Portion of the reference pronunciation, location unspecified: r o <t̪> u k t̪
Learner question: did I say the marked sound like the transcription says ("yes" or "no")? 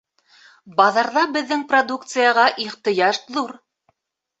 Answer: no